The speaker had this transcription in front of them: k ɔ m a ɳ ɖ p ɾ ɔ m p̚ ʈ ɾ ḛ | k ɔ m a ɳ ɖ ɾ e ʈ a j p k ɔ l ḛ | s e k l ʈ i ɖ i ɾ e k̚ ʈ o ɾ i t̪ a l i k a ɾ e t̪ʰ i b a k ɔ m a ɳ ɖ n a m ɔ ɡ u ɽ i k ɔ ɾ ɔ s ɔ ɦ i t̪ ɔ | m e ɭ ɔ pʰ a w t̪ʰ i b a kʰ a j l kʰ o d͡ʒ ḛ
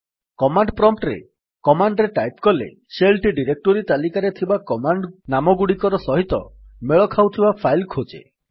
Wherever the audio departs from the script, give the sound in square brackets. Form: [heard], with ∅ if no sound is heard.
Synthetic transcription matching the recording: k ɔ m a ɳ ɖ p ɾ ɔ m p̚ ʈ ɾ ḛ | k ɔ m a ɳ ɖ ɾ e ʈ a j p k ɔ l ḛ | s e [∅] l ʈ i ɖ i ɾ e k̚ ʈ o ɾ i t̪ a l i k a ɾ e t̪ʰ i b a k ɔ m a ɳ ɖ n a m ɔ ɡ u ɽ i k ɔ ɾ ɔ s ɔ ɦ i t̪ ɔ | m e ɭ ɔ [kʰ] a w t̪ʰ i b a [pʰ] a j l kʰ o d͡ʒ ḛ